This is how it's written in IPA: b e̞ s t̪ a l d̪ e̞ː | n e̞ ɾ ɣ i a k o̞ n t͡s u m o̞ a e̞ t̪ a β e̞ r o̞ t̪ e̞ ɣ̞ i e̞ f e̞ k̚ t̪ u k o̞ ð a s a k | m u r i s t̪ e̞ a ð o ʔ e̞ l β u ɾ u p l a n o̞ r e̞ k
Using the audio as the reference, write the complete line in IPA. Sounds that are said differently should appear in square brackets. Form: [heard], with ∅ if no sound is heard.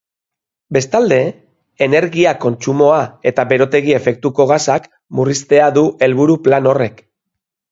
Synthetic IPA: b e̞ s t̪ a l d̪ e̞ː | n e̞ ɾ ɣ i a k o̞ n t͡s u m o̞ a e̞ t̪ a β e̞ [ɾ] o̞ t̪ e̞ ɣ̞ i e̞ f e̞ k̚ t̪ u k o̞ [ɣ] a s a k | m u r i s t̪ e̞ a ð [u] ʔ e̞ l β u ɾ u p l a n o̞ r e̞ k

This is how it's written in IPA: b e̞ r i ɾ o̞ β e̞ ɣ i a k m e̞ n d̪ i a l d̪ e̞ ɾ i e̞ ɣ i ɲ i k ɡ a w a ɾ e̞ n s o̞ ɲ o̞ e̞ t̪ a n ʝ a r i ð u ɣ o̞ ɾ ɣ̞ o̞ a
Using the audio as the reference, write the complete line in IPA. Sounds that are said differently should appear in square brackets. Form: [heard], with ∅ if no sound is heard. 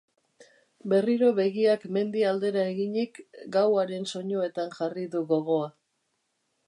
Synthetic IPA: b e̞ r i ɾ o̞ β e̞ ɣ i a k m e̞ n d̪ i a l d̪ e̞ ɾ [a] e̞ ɣ i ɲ i k ɡ a w a ɾ e̞ n s o̞ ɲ o̞ e̞ t̪ a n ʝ a r i ð u ɣ o̞ [∅] ɣ̞ o̞ a

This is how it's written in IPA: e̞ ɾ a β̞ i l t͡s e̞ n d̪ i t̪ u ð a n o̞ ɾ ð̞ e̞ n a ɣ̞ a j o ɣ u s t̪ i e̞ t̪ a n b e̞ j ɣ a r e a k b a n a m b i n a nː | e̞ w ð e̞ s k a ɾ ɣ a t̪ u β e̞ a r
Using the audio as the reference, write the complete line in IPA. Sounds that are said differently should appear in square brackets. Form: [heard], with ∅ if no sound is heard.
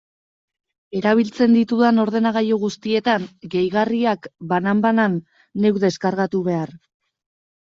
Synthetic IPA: e̞ ɾ a β̞ i l t͡s e̞ n d̪ i t̪ u ð a n o̞ ɾ ð̞ e̞ n a ɣ̞ a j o ɣ u s t̪ i e̞ t̪ a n [ɡ] e̞ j ɣ a r [i] a k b a n a m b [a] n a nː | e̞ w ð e̞ s k a ɾ ɣ a t̪ u β e̞ a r

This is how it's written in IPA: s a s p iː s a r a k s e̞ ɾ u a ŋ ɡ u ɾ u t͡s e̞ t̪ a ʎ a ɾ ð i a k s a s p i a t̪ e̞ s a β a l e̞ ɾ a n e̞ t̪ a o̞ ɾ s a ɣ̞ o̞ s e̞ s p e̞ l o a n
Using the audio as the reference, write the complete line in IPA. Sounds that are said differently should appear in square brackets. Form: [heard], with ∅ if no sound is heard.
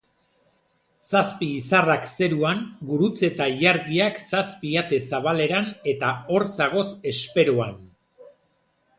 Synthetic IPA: s a s p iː s a r a k s e̞ ɾ u a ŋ ɡ u ɾ u t͡s e̞ t̪ a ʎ a ɾ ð i a k s a s p i a t̪ e̞ s a β a l e̞ ɾ a n e̞ t̪ a o̞ ɾ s a ɣ̞ o̞ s e̞ s p e̞ [ɾ] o a n

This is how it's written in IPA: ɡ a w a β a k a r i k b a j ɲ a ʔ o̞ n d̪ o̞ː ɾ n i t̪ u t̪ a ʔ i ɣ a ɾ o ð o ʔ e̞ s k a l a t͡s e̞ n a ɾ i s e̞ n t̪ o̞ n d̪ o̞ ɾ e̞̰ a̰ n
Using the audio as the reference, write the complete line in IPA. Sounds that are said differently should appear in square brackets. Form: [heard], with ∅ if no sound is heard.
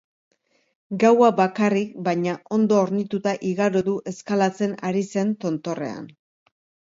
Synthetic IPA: ɡ a w a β a k a r i k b a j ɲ a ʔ o̞ n d̪ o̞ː ɾ n i t̪ u t̪ a ʔ i ɣ a ɾ o ð [u] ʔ e̞ s k a l a t͡s e̞ n a ɾ i s e̞ n t̪ o̞ n [t̪] o̞ [r] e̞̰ a̰ n

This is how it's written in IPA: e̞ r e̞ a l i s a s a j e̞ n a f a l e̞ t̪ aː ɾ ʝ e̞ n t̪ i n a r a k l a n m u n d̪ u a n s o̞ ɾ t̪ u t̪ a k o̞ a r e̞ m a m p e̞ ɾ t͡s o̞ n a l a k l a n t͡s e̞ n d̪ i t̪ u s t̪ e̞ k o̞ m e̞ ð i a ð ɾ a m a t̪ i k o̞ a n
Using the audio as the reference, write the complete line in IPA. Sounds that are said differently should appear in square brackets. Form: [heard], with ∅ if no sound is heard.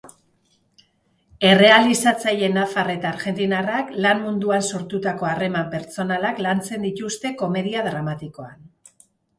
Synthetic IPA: e̞ r e̞ a l i s a [t͡s] a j e̞ n a f a [r] e̞ t̪ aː ɾ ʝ e̞ n t̪ i n a r a k l a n m u n d̪ u a n s o̞ ɾ t̪ u t̪ a k o̞ a r e̞ m a m p e̞ ɾ t͡s o̞ n a l a k l a n t͡s e̞ n d̪ i t̪ u s t̪ e̞ k o̞ m e̞ ð i a ð ɾ a m a t̪ i k o̞ a n

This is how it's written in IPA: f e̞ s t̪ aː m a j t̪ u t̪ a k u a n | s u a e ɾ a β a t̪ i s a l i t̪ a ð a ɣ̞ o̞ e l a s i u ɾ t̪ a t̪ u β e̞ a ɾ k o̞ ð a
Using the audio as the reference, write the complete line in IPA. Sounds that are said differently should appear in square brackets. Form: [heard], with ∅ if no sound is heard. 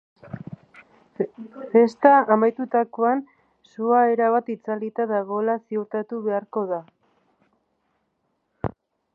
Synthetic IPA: f e̞ s t̪ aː m a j t̪ u t̪ a k [o] a n | s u a e ɾ a β a t̪ i [t͡s] a l i t̪ a ð a ɣ̞ o̞ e l a s i u ɾ t̪ a t̪ u β e̞ a ɾ k o̞ ð a

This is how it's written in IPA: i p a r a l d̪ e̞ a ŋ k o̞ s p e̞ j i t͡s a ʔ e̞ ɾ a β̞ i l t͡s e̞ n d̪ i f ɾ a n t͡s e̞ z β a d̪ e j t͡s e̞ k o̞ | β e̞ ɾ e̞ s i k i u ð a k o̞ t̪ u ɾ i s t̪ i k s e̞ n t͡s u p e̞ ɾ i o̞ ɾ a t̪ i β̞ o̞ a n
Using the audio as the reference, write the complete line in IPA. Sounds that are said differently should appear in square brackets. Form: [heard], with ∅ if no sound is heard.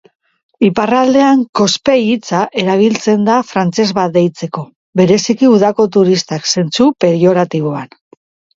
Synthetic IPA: i p a r a l d̪ e̞ a ŋ k o̞ s p e̞ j i t͡s a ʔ e̞ ɾ a β̞ i l t͡s e̞ n d̪ [a] f ɾ a n t͡s e̞ z β a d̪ e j t͡s e̞ k o̞ | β e̞ ɾ e̞ s i k i u ð a k o̞ t̪ u ɾ i s t̪ [a] k s e̞ n t͡s u p e̞ ɾ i o̞ ɾ a t̪ i β̞ o̞ a n

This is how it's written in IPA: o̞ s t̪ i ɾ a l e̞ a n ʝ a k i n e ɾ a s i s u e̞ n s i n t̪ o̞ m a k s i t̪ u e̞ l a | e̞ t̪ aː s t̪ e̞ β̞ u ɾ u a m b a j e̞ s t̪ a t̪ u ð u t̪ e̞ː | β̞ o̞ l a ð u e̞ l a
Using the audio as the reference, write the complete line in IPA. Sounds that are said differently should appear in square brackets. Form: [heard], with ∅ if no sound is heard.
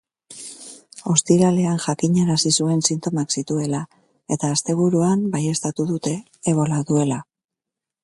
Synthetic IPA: o̞ s t̪ i ɾ a l e̞ a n ʝ a k i [ɲ] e ɾ a s i s u e̞ n s i n t̪ o̞ m a k s i t̪ u e̞ l a | e̞ t̪ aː s t̪ e̞ β̞ u ɾ u a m b a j e̞ s t̪ a t̪ u ð u t̪ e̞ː | β̞ o̞ l a ð u e̞ l a

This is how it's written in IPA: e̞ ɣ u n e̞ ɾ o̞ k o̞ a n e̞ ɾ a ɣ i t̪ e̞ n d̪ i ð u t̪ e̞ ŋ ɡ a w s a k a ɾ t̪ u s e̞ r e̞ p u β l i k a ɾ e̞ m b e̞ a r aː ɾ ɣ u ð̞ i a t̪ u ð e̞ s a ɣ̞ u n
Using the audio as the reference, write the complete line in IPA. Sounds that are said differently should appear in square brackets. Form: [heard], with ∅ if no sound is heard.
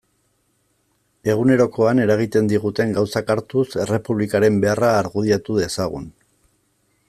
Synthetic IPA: e̞ ɣ u n e̞ ɾ o̞ k o̞ a n e̞ ɾ a ɣ i t̪ e̞ n d̪ i [ɣ] u t̪ e̞ ŋ ɡ a w s a k a ɾ t̪ u s e̞ r e̞ p u β l i k a ɾ e̞ m b e̞ a r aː ɾ ɣ u ð̞ i a t̪ u ð e̞ s a ɣ̞ u n

